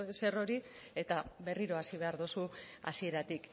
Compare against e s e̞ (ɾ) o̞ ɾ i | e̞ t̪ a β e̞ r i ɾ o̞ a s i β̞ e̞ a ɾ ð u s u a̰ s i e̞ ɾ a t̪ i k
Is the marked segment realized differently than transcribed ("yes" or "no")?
yes